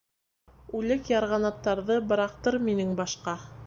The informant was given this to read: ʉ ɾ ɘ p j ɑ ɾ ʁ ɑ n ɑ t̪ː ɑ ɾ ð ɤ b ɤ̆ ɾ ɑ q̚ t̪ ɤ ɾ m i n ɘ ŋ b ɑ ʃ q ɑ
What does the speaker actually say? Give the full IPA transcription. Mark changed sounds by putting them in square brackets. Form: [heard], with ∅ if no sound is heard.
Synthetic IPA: ʉ [l] ɘ [k] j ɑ ɾ ʁ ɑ n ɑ t̪ː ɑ ɾ ð ɤ b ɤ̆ ɾ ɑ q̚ t̪ ɤ ɾ m i n ɘ ŋ b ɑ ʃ q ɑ